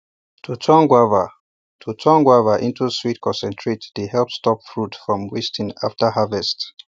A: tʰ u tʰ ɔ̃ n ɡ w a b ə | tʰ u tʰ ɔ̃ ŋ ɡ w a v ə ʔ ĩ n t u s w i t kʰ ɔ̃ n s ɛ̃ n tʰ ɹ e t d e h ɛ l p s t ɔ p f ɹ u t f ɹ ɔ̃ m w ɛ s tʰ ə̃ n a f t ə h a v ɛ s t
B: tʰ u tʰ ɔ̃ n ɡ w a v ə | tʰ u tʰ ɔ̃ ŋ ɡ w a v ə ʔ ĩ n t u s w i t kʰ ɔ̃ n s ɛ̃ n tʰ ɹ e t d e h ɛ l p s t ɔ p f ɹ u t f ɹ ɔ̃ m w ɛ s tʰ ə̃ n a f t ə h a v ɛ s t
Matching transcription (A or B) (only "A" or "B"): B